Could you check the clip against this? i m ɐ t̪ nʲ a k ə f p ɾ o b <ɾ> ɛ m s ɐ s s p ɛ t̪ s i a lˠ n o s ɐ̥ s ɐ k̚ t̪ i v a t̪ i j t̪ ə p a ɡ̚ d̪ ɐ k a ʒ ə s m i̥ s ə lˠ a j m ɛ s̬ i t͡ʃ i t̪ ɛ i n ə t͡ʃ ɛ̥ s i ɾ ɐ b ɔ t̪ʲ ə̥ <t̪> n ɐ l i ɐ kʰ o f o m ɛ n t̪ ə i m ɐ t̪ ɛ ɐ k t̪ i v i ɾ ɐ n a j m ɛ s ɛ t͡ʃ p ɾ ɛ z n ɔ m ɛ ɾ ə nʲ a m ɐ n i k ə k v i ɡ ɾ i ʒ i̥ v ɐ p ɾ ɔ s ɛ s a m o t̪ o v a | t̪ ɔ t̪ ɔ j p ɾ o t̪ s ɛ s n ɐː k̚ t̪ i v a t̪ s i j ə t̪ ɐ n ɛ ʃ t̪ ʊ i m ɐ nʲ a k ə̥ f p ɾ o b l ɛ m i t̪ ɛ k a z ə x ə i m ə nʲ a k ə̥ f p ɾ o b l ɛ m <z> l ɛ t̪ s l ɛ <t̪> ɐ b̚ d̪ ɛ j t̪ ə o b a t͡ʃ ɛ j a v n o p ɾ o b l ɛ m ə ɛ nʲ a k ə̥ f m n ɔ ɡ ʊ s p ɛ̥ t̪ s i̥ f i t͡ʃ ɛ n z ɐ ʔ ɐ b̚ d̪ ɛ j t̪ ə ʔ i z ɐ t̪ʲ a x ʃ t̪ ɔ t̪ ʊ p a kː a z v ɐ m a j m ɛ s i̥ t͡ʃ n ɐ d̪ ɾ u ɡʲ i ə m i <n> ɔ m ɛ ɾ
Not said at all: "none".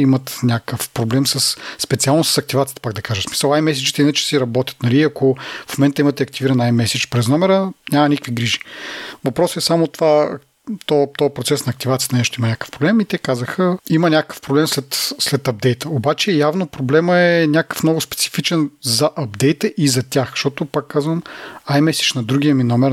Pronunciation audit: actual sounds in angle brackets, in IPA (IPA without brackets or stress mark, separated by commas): l, t̪, s, t̪, n